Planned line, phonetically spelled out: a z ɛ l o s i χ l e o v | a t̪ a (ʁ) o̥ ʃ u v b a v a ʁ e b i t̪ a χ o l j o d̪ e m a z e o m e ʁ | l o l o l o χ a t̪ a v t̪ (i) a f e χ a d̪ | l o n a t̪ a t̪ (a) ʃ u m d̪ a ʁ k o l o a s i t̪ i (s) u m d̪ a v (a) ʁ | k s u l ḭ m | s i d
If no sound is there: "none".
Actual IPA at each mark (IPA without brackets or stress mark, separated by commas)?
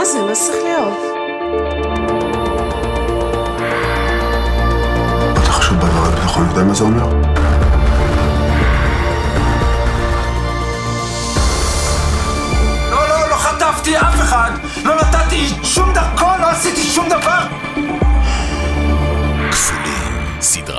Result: χ, i, i, ʃ, a